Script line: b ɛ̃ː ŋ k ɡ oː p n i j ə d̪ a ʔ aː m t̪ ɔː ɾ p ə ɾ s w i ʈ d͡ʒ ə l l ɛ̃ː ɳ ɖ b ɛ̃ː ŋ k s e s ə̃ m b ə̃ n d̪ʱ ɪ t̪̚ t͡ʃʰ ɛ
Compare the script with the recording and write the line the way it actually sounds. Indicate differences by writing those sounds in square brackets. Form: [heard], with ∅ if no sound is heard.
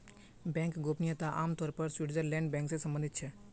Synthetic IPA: b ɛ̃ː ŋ k ɡ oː p n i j ə [t̪] a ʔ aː m t̪ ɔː ɾ p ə ɾ s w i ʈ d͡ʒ ə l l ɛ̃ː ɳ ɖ b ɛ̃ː ŋ k s e s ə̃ m b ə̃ n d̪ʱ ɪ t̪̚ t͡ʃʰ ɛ